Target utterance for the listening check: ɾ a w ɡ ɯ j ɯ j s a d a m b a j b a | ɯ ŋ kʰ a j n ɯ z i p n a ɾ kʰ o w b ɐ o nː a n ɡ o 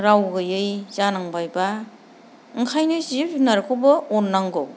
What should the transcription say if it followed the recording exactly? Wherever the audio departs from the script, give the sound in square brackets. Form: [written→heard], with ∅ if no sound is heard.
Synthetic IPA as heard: ɾ a w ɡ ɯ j ɯ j [s→z] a [d→n] a [m→ŋ] b a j b a | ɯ ŋ kʰ a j n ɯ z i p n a ɾ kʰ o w b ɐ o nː a [n→ŋ] ɡ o